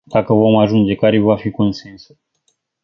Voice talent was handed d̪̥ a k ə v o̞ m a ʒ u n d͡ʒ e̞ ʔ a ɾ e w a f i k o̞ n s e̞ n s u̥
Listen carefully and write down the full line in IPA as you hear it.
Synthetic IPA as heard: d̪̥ a k ə v o̞ m a ʒ u n d͡ʒ e̞ k a ɾ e v a f i k o̞ n s e̞ n s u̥